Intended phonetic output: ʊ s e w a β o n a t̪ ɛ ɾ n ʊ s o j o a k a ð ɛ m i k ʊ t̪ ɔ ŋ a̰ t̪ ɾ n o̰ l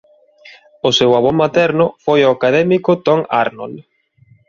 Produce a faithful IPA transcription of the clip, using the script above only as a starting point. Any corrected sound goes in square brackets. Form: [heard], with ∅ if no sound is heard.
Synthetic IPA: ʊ s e w a β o [m] a t̪ ɛ ɾ n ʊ [f] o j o a k a ð ɛ m i k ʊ t̪ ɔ ŋ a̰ [∅] ɾ n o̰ l